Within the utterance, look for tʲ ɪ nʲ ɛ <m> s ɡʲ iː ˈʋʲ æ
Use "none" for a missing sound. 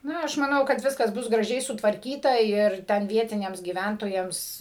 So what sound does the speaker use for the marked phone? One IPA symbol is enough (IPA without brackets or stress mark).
m